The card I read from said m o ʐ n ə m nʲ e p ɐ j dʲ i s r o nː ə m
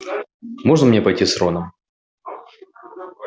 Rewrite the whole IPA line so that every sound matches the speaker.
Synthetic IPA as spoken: m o ʐ n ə m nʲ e p ɐ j tʲ i s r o n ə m